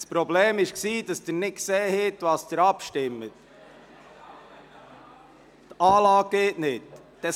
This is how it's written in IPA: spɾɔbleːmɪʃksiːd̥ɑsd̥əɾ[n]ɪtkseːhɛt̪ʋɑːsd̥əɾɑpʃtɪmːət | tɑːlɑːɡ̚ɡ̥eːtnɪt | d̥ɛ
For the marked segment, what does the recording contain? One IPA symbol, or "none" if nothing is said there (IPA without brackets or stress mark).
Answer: n